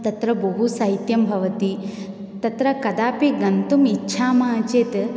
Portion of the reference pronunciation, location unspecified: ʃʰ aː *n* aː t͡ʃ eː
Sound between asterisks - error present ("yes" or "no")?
yes